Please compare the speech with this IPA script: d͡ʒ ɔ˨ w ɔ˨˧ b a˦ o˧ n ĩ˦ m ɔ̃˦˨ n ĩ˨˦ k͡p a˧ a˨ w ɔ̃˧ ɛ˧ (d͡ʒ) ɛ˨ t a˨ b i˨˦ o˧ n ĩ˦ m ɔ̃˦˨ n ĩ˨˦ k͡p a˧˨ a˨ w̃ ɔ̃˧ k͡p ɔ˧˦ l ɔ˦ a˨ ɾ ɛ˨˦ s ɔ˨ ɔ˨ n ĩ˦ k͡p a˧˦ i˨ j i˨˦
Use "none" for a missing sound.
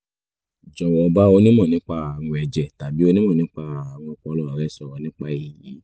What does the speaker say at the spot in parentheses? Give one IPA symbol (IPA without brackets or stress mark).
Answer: d͡ʒ